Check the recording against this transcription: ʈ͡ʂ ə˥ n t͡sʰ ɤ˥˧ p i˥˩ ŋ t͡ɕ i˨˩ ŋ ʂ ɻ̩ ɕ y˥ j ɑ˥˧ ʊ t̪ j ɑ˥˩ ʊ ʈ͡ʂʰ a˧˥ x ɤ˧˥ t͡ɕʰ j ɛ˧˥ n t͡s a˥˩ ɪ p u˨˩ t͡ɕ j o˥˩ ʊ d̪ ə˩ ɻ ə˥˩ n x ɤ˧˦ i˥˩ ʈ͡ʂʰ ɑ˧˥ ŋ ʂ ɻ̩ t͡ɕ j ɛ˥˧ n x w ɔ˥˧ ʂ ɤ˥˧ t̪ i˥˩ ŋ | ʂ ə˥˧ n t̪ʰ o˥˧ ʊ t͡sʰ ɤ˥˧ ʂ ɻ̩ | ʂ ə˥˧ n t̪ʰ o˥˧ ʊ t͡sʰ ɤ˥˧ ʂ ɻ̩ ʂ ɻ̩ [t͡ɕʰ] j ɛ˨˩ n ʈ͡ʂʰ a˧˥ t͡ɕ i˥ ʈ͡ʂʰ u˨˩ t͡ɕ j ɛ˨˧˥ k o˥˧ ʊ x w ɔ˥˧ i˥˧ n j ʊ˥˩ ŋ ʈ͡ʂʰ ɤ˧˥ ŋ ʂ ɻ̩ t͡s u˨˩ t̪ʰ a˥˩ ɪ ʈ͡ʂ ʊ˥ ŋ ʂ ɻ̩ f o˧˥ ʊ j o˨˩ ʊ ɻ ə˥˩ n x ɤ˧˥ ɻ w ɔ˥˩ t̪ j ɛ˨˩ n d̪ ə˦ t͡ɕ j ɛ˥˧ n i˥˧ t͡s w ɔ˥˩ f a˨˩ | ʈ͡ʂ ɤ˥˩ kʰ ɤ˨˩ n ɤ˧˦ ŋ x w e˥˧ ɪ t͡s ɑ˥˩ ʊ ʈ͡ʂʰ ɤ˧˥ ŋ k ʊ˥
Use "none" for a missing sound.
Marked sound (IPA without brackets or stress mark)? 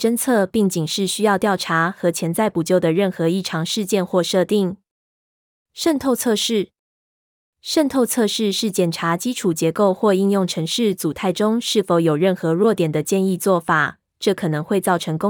t͡ɕ